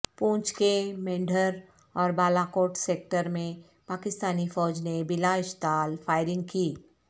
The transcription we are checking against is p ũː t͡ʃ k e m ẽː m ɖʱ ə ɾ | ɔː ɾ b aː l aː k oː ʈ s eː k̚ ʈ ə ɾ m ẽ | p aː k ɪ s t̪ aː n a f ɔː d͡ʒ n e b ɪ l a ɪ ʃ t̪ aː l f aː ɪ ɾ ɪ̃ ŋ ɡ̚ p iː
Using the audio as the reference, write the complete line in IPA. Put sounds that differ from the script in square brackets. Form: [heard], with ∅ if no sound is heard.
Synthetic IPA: p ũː t͡ʃ k e m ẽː [ɳ] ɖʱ ə ɾ | ɔː ɾ b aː l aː k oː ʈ s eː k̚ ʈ ə ɾ m ẽ | p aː k ɪ s t̪ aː n [i] f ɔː d͡ʒ n e b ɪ l a ɪ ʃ t̪ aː l f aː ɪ ɾ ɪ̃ ŋ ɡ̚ [k] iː